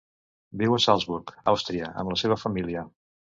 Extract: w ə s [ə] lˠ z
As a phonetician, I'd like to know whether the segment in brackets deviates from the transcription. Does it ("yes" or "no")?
yes